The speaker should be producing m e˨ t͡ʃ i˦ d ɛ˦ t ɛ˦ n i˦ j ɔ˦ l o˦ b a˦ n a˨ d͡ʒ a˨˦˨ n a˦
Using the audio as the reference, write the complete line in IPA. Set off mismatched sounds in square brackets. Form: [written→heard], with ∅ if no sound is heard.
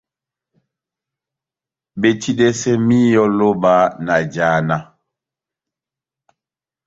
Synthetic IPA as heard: [m→b] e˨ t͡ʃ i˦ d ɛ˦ [t→s] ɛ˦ [n→m] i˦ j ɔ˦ l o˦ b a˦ n a˨ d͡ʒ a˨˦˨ n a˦